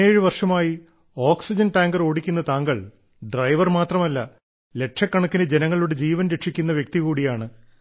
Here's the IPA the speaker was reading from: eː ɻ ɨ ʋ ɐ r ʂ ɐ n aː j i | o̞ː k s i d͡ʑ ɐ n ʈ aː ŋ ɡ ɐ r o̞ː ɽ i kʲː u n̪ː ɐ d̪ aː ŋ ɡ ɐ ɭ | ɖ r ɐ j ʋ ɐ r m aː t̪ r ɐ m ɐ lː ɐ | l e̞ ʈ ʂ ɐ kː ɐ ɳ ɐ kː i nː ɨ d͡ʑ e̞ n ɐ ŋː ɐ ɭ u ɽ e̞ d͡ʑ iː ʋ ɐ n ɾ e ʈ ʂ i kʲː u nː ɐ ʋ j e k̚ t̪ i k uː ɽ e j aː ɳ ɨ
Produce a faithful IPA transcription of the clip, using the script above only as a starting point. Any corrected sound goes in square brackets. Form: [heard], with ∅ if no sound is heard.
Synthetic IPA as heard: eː ɻ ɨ ʋ ɐ r ʂ ɐ [m] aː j i | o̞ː k s i d͡ʑ ɐ n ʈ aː ŋ ɡ ɐ r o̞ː ɽ i kʲː u n̪ː ɐ [t̪] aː ŋ ɡ ɐ ɭ | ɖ r ɐ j ʋ ɐ r m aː t̪ r ɐ m ɐ lː ɐ | l e̞ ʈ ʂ ɐ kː ɐ ɳ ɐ kː i [n] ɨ d͡ʑ e̞ n ɐ ŋː ɐ ɭ u ɽ e̞ d͡ʑ iː ʋ ɐ n ɾ e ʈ ʂ i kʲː u nː ɐ ʋ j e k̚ t̪ i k uː ɽ [i] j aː ɳ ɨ